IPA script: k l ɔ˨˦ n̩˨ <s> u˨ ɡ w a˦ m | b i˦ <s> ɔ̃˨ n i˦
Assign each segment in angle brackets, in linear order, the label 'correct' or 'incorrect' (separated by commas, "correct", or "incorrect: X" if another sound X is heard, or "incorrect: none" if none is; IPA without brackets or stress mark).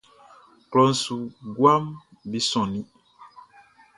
correct, correct